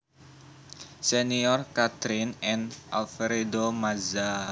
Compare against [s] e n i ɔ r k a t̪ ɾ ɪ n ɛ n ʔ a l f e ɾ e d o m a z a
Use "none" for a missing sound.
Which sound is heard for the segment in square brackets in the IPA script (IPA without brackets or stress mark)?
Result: s